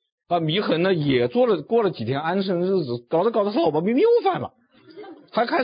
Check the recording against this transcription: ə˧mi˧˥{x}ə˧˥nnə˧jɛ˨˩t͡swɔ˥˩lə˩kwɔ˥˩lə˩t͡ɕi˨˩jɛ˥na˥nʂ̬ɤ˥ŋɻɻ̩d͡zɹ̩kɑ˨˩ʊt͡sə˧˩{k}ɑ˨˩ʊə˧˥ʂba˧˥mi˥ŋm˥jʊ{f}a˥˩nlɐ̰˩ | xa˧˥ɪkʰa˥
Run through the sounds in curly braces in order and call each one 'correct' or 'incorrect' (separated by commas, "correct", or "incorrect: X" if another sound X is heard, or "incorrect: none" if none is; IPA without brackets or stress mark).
correct, correct, correct